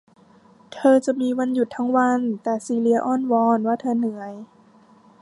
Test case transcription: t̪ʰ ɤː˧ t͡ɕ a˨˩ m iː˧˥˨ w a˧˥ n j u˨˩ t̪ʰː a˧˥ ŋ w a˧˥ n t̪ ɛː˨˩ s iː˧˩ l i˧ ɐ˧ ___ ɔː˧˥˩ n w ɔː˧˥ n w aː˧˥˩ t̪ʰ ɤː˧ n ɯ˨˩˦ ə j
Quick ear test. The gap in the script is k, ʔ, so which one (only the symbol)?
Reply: ʔ